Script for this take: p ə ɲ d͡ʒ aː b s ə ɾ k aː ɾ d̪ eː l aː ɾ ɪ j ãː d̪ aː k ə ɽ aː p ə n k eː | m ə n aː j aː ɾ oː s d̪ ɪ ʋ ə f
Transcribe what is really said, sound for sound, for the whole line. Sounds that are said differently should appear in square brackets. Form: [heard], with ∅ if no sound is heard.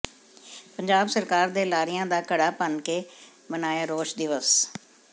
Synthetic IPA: p ə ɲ d͡ʒ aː b s ə ɾ k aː ɾ d̪ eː l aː ɾ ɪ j ãː d̪ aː k ə ɽ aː p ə n k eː | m ə n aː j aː ɾ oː [ʃ] d̪ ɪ ʋ ə [s]